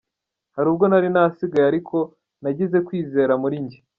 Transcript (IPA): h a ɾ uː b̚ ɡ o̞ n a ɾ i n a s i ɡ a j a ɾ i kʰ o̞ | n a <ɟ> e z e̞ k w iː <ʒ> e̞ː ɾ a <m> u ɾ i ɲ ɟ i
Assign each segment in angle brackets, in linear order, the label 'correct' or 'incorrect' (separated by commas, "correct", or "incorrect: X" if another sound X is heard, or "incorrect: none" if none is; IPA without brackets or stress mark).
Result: correct, incorrect: z, correct